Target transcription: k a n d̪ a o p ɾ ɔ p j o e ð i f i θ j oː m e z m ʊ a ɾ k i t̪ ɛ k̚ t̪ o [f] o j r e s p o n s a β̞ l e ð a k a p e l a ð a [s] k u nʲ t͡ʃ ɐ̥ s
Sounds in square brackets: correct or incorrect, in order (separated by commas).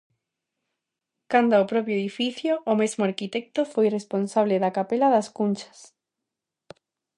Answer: correct, correct